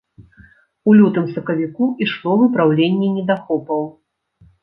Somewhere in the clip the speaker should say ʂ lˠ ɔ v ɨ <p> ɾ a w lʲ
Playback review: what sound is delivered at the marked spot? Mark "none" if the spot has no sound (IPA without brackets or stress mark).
p